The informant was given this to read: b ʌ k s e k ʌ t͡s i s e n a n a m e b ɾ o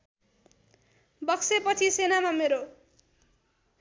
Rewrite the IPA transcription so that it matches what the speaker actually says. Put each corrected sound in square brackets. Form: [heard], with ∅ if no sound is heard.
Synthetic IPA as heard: b ʌ k s e [p] ʌ [t͡sʰ] i s e n a [m] a m e [∅] ɾ o